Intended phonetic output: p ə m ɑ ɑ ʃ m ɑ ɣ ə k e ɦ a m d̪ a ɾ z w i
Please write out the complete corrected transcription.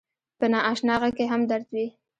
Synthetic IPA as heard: p ə n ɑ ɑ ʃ n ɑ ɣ a k e ɦ a m d̪ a ɾ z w i